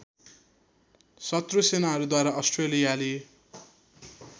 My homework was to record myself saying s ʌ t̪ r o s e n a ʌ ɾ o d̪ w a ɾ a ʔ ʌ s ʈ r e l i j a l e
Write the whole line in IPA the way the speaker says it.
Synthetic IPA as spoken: s ʌ t̪ r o s e n a ʌ ɾ u d̪ w a ɾ a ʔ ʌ s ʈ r e l i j a l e